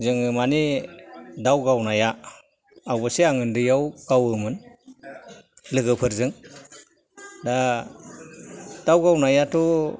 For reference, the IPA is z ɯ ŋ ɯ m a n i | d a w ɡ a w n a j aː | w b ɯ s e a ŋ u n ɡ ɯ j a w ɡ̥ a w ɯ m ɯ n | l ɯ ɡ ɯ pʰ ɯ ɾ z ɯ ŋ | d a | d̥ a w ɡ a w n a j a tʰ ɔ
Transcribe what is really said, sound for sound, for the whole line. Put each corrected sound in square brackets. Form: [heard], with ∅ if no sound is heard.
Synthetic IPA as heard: z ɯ ŋ ɯ m a n i | d a w ɡ a w n a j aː | w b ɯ s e a ŋ [ɯ] n [d] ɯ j a w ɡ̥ a w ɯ m ɯ n | l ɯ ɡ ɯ pʰ ɯ ɾ z ɯ ŋ | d a | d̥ a w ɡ a w n a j a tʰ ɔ

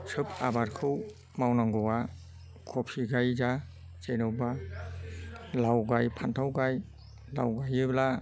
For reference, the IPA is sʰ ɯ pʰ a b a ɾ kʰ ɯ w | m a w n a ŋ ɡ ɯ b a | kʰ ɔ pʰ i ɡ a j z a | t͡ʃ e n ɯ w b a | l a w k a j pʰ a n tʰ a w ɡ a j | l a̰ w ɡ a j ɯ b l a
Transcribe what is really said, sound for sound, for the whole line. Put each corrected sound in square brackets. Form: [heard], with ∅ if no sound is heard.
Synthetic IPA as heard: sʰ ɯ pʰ a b a ɾ kʰ ɯ w | m a w n a ŋ ɡ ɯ [w] a | kʰ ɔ pʰ i ɡ a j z a | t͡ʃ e n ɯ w b a | l a w [ɡ] a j pʰ a n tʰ a w ɡ a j | l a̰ w ɡ a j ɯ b l a

